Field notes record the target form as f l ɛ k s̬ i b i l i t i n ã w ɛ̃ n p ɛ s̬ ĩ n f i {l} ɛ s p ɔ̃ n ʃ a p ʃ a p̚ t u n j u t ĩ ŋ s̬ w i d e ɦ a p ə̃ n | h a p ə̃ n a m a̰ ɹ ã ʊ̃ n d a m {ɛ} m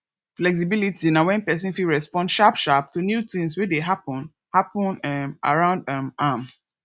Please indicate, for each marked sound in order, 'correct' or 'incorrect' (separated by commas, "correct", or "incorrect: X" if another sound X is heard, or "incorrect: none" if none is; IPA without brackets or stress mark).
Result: incorrect: ɹ, incorrect: a